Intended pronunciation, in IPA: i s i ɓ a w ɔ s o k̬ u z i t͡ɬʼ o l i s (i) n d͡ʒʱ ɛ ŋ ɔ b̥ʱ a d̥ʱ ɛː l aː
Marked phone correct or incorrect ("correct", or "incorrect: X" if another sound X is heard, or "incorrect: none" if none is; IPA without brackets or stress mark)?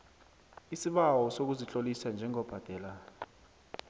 incorrect: a